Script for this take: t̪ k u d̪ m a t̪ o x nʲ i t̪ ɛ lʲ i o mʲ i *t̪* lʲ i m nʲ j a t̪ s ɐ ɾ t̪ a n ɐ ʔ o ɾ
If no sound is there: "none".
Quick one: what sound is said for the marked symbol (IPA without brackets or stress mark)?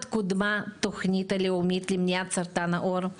t̪